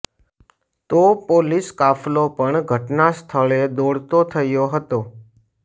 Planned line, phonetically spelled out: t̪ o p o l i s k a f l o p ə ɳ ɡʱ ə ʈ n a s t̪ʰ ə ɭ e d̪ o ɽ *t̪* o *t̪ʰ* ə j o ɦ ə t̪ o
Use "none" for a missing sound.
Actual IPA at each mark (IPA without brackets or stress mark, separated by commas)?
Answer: t̪, t̪ʰ